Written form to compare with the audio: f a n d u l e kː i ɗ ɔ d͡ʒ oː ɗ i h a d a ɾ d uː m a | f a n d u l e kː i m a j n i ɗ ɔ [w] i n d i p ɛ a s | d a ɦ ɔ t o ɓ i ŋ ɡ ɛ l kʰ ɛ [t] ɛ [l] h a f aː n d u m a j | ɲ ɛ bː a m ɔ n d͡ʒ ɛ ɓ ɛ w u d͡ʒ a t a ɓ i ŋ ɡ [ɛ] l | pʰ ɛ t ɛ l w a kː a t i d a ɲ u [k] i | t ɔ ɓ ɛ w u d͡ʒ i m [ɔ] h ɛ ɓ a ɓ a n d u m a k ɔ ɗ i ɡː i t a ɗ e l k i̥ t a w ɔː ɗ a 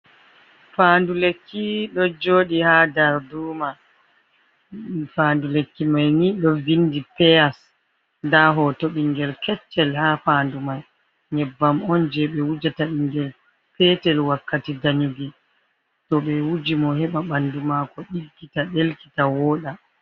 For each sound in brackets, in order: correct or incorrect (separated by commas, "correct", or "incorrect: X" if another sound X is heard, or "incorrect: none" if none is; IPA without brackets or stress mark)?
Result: incorrect: v, incorrect: t͡ʃː, correct, correct, incorrect: ɡ, correct